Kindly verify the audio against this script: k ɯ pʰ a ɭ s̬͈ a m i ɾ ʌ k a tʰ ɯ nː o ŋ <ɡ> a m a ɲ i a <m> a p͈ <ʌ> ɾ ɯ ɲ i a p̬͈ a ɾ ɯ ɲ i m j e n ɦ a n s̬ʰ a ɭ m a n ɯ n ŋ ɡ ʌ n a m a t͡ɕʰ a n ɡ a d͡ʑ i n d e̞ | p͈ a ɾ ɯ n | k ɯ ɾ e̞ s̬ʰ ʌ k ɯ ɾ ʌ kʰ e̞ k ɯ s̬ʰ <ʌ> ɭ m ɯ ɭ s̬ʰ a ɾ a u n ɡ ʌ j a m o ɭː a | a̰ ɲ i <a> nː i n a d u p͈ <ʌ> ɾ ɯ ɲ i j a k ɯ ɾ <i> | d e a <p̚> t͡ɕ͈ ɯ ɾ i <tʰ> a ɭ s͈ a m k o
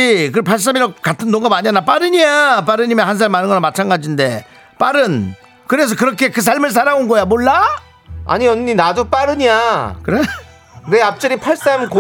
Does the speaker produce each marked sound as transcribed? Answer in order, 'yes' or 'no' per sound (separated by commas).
yes, no, no, no, no, no, no, yes, no